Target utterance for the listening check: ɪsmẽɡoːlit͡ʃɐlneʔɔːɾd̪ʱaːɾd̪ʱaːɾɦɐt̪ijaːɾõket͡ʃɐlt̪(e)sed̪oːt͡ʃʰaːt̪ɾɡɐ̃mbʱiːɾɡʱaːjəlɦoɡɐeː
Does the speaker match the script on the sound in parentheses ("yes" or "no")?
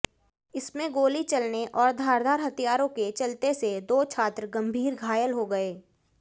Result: yes